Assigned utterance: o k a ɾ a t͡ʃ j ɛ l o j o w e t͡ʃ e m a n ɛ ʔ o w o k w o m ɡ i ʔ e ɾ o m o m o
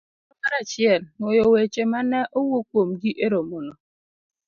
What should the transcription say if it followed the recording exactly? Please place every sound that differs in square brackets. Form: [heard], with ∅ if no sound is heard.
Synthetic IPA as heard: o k a ɾ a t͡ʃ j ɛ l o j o w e t͡ʃ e m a n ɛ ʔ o w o k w o m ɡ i ʔ e ɾ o m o [n] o